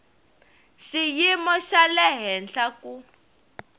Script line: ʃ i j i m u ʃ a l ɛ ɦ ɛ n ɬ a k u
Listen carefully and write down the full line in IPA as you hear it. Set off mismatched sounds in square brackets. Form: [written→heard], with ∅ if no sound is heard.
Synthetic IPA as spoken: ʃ i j i m [u→ɔ] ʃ a l ɛ ɦ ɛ n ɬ a k u